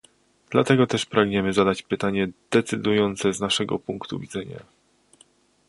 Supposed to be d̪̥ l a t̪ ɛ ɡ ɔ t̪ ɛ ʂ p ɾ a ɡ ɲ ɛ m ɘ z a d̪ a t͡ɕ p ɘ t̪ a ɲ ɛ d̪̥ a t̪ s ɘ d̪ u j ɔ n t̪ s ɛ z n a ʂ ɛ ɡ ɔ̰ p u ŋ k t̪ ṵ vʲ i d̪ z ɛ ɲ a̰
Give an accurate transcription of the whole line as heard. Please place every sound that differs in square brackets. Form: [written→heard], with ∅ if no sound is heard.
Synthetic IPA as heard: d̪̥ l a t̪ ɛ ɡ ɔ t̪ ɛ ʂ p ɾ a ɡ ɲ ɛ m ɘ z a d̪ a t͡ɕ p ɘ t̪ a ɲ ɛ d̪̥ [a→ɛ] t̪ s ɘ d̪ u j ɔ n t̪ s ɛ z n a ʂ ɛ ɡ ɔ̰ p u ŋ k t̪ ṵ vʲ i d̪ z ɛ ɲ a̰